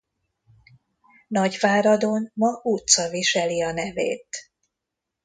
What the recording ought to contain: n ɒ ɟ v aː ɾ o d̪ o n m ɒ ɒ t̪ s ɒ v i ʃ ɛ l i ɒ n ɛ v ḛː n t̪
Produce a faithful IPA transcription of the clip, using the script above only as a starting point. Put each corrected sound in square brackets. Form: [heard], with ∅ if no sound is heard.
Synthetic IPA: n ɒ ɟ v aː ɾ [ɒ] d̪ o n m ɒ [u] t̪ s ɒ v i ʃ ɛ l i ɒ n ɛ v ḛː [∅] t̪